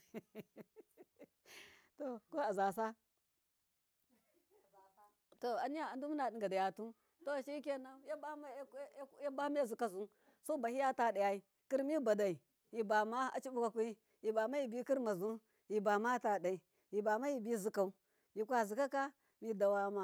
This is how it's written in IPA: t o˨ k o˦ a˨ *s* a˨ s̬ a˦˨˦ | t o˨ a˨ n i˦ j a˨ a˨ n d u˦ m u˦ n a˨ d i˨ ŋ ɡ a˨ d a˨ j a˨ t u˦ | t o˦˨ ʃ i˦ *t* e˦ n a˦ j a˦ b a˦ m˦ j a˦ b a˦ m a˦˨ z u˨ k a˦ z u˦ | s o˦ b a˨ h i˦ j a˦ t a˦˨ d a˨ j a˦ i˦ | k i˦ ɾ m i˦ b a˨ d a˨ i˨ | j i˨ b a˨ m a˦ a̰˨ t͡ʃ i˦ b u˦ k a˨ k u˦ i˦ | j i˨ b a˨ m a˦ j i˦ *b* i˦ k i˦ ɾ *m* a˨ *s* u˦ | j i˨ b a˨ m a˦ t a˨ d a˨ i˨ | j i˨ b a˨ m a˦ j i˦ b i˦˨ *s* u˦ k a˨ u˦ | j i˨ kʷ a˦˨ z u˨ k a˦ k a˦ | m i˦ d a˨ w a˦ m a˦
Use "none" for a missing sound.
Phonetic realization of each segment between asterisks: z, k, b, m, z, z

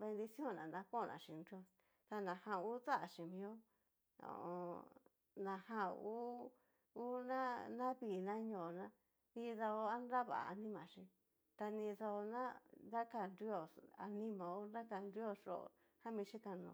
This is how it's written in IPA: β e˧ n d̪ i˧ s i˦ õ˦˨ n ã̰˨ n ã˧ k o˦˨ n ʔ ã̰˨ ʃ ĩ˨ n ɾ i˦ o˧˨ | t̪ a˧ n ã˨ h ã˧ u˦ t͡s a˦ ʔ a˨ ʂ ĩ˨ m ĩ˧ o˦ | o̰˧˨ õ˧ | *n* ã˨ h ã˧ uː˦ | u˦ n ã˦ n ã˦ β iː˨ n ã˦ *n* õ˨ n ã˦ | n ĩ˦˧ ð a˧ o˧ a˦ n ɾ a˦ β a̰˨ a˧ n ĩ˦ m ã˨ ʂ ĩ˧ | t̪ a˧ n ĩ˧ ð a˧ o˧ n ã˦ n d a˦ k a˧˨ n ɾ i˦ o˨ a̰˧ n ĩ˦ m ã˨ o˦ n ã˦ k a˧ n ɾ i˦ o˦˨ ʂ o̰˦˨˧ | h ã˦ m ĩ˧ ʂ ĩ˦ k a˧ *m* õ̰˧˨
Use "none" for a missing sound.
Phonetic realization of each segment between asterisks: n, ɲ, n

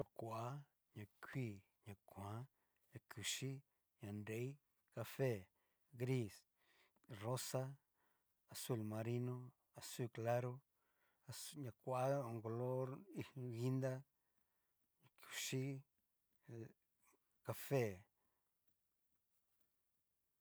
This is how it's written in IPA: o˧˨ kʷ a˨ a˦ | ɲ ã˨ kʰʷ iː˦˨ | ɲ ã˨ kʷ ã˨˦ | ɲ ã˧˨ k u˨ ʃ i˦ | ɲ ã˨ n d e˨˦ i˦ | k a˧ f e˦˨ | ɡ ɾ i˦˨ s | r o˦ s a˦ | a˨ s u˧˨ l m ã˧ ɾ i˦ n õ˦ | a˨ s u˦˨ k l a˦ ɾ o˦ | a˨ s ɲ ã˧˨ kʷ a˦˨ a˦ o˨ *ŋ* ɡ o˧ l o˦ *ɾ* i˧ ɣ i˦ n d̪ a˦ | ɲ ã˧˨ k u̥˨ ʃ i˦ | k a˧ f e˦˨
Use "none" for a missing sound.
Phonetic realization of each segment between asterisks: ŋ, ɾ

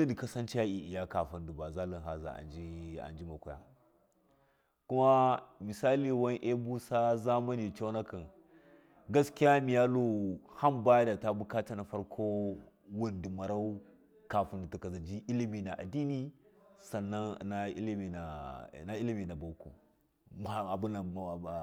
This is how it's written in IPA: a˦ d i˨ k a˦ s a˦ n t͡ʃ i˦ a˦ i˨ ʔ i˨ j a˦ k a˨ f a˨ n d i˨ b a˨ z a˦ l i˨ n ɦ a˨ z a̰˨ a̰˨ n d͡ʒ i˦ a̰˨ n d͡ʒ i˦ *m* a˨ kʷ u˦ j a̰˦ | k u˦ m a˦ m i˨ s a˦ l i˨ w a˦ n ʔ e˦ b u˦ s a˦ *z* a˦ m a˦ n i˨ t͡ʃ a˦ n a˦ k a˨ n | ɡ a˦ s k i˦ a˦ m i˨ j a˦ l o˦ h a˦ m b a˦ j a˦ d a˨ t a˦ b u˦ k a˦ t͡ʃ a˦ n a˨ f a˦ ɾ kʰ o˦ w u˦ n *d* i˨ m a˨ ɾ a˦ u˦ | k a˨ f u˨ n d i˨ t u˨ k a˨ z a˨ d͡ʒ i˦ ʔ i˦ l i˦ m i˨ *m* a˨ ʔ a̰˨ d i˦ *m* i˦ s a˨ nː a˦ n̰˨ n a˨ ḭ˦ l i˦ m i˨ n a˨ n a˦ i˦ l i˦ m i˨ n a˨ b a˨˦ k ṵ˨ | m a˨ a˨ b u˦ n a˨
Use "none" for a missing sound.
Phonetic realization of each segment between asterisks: m, z, d, n, n

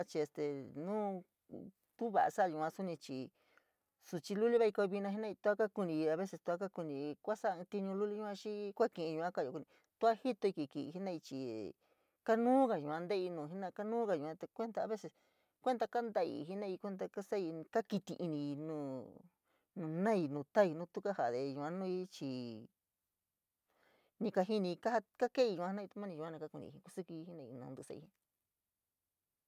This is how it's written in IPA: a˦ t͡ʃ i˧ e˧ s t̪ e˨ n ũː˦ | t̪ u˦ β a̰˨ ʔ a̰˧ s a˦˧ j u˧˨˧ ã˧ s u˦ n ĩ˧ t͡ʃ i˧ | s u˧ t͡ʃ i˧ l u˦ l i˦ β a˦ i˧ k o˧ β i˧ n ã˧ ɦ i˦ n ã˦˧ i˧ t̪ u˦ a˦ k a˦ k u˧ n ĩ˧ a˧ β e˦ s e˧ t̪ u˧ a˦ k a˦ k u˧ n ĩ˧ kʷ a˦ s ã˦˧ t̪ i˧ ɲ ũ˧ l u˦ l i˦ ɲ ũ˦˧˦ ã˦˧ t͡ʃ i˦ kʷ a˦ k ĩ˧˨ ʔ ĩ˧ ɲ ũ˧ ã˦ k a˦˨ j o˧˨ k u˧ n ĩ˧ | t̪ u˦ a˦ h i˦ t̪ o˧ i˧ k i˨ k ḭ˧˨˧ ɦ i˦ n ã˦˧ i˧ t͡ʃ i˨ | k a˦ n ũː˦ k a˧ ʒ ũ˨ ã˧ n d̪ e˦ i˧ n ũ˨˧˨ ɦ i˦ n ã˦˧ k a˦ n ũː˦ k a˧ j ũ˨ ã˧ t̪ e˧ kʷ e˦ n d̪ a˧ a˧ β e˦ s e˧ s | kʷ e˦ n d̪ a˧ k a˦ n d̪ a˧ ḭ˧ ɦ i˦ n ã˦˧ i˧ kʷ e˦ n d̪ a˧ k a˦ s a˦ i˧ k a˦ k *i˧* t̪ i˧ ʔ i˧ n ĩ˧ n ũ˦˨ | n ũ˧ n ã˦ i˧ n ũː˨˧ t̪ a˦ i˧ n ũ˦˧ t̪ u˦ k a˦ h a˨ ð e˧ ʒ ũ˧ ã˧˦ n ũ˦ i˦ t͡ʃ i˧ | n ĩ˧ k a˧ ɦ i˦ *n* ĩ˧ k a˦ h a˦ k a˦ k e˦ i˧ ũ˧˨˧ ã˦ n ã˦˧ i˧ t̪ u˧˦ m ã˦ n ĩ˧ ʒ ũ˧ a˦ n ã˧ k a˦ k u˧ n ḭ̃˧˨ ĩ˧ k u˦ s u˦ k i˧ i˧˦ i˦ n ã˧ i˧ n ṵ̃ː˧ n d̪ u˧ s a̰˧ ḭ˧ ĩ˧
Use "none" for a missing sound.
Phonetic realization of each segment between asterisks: i˧, n

